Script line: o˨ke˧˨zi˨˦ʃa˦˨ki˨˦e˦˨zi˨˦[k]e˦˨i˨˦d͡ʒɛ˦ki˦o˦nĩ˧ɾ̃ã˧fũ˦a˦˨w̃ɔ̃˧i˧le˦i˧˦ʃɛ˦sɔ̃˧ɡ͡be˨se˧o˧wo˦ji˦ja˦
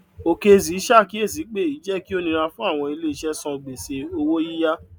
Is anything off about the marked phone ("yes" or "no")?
yes